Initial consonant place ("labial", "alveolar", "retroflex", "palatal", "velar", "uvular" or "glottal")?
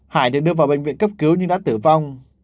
glottal